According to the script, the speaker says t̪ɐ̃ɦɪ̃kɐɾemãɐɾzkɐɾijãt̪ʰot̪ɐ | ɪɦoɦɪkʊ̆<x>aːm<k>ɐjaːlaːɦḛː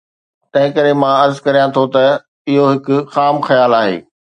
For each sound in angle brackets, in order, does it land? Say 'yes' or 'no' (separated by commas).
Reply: yes, no